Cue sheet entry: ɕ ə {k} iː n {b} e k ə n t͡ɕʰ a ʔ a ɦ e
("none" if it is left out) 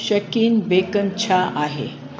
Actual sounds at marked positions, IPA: k, b

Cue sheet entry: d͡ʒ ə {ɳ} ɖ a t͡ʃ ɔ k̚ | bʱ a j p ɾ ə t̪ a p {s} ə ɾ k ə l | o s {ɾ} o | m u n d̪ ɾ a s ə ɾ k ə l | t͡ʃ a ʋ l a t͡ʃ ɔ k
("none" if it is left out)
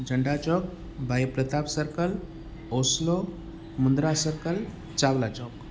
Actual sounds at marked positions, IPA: ɳ, s, l

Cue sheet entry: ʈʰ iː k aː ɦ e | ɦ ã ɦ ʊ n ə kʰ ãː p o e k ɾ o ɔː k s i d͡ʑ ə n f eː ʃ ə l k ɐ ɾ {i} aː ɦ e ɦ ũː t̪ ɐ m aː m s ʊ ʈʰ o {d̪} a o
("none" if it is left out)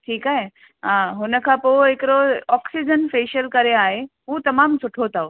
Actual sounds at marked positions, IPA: e, t̪

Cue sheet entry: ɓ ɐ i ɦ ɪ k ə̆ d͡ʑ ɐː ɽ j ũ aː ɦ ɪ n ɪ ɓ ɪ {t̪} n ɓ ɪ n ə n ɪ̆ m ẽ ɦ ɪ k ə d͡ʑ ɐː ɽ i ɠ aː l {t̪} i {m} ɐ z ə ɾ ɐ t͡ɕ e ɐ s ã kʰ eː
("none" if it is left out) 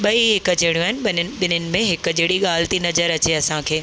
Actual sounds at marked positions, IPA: none, t̪, n

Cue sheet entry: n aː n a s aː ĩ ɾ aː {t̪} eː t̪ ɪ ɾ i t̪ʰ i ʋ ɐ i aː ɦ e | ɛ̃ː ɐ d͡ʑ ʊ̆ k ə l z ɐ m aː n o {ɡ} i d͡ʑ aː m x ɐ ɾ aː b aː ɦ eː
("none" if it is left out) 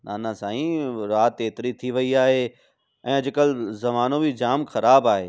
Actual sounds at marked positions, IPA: t̪, b

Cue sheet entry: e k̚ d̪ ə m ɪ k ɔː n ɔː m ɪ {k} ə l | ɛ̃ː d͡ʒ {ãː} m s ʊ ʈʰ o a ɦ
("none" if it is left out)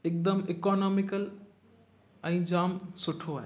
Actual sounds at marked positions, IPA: k, aː

